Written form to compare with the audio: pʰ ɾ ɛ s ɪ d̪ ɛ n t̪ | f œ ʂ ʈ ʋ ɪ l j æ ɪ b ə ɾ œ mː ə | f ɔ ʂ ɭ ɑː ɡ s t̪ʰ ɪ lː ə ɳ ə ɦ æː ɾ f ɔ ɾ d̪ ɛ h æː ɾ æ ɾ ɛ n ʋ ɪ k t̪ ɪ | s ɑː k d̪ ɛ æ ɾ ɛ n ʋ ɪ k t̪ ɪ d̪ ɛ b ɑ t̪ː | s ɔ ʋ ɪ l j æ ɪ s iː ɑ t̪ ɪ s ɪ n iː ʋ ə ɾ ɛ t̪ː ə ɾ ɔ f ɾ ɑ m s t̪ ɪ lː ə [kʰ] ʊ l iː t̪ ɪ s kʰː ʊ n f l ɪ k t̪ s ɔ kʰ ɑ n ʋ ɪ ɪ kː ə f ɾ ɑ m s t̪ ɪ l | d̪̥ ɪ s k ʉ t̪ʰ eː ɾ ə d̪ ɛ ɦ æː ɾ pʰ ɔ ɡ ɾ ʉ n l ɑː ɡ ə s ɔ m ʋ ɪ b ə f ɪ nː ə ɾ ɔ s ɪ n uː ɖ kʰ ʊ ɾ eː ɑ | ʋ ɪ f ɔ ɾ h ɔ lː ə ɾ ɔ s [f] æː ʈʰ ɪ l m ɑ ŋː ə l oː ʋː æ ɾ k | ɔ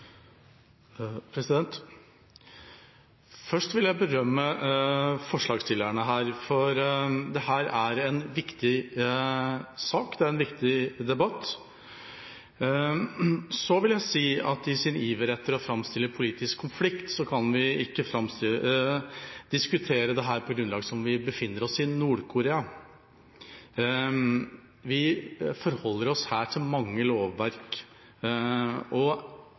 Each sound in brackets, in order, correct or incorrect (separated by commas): incorrect, incorrect